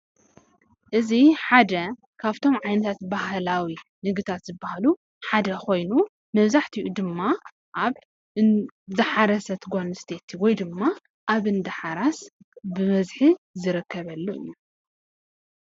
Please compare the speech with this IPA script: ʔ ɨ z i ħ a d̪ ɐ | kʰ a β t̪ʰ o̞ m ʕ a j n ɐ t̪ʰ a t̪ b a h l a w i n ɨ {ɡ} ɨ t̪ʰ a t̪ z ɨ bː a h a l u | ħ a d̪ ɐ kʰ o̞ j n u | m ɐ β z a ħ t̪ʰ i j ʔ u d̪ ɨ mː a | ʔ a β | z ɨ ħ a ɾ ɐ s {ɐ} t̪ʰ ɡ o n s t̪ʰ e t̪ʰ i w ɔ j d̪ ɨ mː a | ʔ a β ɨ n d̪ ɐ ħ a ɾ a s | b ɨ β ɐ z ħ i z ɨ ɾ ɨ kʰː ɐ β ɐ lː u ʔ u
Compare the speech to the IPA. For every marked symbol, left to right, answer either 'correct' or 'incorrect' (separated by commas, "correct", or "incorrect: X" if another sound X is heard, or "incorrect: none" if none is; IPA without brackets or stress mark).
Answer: correct, correct